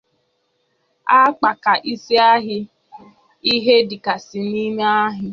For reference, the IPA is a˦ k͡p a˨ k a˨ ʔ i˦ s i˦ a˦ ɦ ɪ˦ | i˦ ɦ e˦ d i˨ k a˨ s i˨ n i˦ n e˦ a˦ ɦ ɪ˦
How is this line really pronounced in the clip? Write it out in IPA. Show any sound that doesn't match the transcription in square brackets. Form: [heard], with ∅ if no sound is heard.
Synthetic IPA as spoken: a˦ k͡p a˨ k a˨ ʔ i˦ s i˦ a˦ ɦ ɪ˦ | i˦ ɦ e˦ d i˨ k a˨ s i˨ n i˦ [m] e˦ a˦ ɦ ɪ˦